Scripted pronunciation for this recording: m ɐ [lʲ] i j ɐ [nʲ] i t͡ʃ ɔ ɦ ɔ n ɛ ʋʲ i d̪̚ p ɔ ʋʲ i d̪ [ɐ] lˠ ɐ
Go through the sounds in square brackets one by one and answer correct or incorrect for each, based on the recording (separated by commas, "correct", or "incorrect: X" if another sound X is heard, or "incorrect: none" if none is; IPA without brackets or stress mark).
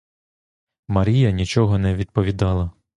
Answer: incorrect: ɾʲ, correct, incorrect: ɑ